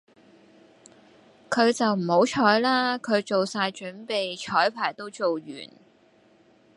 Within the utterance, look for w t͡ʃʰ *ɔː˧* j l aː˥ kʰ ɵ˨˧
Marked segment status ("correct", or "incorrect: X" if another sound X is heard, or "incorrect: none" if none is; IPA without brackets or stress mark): incorrect: ɔː˨˥